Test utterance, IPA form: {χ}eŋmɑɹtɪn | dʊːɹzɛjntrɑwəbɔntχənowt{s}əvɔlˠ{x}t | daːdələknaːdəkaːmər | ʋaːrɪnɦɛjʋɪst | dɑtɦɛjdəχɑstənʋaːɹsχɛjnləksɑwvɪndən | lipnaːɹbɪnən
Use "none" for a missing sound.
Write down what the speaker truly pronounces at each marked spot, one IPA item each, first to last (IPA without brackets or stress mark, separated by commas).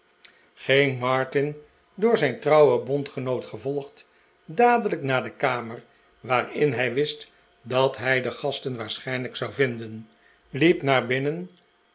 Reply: χ, χ, χ